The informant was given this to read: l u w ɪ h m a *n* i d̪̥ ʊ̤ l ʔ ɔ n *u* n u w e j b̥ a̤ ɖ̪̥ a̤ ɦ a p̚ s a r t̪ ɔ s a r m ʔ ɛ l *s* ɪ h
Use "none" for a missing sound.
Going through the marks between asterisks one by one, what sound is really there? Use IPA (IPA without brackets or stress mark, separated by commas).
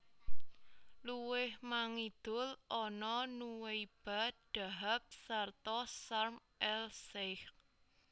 ŋ, ɔ, s